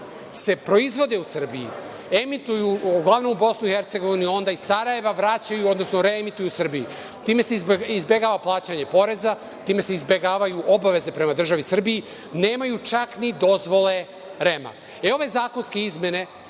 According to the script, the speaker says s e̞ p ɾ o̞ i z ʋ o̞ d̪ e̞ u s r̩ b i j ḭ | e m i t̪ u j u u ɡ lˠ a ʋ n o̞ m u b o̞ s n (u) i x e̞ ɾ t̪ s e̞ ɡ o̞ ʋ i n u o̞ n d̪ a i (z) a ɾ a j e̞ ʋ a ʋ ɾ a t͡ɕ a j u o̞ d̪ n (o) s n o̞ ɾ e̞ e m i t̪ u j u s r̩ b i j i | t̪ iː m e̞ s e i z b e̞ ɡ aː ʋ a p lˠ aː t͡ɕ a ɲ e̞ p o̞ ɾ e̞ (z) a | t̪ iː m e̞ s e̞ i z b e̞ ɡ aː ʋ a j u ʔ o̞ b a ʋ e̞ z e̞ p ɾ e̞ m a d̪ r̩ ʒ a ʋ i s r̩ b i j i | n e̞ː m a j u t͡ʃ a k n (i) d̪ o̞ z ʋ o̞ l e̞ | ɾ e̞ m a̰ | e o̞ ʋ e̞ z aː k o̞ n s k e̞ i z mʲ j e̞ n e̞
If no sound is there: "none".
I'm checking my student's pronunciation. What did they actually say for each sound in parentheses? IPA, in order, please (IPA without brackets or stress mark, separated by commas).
u, s, o, z, i